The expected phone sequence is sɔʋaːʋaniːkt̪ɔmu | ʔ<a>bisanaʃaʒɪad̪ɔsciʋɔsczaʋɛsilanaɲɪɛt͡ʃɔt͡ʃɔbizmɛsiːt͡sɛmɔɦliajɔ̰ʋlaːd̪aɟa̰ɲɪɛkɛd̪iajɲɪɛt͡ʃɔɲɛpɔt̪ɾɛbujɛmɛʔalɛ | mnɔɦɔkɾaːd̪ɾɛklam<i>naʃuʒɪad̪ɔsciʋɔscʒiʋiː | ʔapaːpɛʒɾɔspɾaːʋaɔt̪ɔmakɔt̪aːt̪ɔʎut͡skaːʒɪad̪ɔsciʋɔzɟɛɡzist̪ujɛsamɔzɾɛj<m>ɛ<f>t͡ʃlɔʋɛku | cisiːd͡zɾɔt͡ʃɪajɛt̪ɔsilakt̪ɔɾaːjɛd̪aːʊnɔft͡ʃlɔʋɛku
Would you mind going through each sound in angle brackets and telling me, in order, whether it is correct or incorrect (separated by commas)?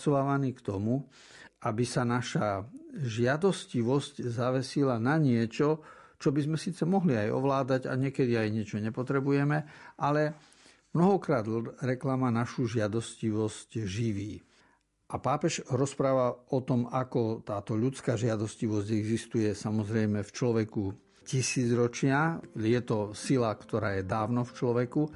correct, incorrect, correct, correct